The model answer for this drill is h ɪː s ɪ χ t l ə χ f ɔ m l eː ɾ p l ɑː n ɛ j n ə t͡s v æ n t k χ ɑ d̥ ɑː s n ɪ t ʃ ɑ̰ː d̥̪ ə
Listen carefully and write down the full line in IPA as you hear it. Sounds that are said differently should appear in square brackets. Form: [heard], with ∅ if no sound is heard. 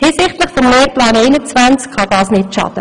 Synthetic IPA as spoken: h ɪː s ɪ χ t l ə χ f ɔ m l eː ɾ p l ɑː n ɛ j n ə t͡s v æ n [t͡s] k χ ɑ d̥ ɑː s n ɪ t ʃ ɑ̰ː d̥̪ ə